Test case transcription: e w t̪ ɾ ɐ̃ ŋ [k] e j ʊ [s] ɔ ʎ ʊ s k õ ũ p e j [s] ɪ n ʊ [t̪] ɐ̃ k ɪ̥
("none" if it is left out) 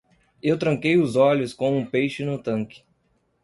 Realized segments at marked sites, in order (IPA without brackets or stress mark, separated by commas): k, z, ʃ, t̪